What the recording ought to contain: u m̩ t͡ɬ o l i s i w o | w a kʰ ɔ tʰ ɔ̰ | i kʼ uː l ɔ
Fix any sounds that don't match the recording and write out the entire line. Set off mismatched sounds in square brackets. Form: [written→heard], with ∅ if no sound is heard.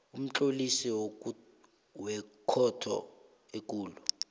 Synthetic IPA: u m̩ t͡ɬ o l i s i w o | w [a→ɛ] kʰ ɔ tʰ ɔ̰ | [i→e] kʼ uː l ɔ